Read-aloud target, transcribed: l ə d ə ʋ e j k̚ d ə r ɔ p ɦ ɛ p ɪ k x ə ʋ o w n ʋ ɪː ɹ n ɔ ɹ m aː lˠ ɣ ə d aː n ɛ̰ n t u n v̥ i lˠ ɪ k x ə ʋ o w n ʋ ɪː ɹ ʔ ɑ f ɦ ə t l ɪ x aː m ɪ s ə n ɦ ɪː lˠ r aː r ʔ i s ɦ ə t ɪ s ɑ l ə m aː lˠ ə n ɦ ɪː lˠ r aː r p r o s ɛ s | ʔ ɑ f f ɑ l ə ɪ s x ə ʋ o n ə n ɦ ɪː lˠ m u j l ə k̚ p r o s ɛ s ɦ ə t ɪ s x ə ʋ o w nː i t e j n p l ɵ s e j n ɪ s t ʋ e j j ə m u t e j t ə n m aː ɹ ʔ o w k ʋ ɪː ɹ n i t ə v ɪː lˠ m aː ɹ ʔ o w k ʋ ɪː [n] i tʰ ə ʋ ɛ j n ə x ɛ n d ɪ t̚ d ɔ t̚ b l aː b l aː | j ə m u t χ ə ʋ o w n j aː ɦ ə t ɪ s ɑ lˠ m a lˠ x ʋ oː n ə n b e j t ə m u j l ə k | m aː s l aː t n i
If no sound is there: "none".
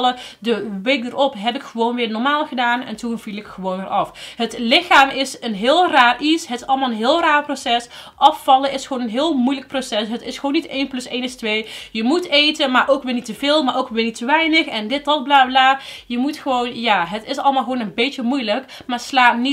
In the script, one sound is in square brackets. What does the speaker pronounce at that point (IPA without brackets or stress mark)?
n